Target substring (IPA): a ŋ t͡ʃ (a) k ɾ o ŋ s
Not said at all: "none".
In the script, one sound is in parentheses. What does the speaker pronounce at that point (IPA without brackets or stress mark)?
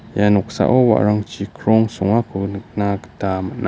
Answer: i